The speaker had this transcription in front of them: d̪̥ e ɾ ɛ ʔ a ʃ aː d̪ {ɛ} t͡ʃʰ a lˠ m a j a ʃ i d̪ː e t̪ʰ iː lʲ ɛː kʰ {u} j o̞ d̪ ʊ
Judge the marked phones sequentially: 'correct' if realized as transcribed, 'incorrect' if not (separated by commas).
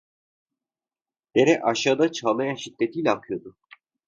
incorrect, incorrect